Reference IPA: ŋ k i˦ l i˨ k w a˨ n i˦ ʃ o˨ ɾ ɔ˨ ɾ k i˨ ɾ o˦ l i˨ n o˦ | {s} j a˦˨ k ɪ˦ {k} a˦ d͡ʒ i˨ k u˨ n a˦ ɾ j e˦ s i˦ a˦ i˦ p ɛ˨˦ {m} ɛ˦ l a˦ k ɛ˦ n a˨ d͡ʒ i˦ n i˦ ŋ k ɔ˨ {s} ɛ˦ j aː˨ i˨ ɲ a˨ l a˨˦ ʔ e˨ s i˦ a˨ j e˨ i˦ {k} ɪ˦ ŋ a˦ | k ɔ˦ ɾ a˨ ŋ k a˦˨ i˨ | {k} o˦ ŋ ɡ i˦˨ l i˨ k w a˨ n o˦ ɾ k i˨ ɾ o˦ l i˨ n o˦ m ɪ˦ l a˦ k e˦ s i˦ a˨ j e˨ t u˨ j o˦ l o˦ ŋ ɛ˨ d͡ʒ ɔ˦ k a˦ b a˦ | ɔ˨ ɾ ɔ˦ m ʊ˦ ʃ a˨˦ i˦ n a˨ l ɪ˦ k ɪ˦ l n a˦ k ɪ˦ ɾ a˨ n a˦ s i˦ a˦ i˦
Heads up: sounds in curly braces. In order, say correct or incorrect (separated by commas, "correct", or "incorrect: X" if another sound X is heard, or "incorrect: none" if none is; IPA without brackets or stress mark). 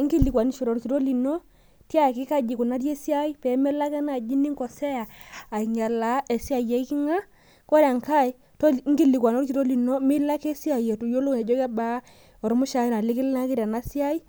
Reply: incorrect: t, correct, correct, correct, correct, incorrect: t